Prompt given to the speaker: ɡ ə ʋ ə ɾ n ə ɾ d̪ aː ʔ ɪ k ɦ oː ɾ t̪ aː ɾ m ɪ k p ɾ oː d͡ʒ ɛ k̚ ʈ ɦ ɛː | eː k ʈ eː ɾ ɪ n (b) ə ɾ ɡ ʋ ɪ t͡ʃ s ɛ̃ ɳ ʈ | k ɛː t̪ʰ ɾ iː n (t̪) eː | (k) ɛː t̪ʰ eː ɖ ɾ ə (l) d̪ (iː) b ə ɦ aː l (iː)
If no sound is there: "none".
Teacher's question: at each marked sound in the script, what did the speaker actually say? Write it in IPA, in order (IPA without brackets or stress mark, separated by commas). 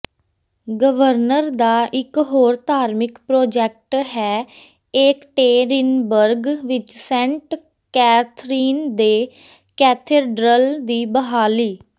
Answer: b, d̪, k, l, iː, iː